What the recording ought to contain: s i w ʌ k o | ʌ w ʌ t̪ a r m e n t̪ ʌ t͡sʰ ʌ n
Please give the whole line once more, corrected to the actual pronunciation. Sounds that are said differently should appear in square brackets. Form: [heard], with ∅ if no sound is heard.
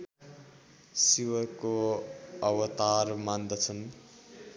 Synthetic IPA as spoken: s i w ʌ k o | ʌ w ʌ t̪ a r m [a] n [d̪] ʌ t͡sʰ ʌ n